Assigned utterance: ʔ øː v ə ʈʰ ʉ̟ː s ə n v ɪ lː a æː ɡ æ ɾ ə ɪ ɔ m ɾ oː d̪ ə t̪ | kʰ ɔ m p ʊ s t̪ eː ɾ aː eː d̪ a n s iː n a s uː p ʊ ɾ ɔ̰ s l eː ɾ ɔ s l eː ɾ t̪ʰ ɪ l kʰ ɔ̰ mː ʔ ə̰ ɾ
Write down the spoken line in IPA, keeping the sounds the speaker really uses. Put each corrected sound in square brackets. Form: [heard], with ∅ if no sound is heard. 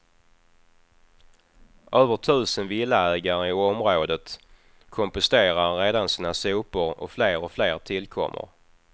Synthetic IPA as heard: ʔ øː v ə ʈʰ ʉ̟ː s ə n v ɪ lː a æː ɡ [a] ɾ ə ɪ ɔ m ɾ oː d̪ ə t̪ | kʰ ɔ m p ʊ s t̪ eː ɾ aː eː d̪ a n s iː n a s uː p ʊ ɾ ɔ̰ [f] l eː ɾ ɔ [f] l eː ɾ t̪ʰ ɪ l kʰ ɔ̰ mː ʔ ə̰ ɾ